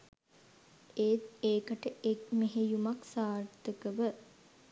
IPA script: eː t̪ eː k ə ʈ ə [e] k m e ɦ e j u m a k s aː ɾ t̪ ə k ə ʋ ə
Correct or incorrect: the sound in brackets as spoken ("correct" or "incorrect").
correct